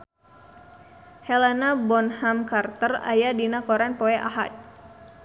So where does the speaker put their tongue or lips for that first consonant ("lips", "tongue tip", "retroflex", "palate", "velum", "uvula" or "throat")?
throat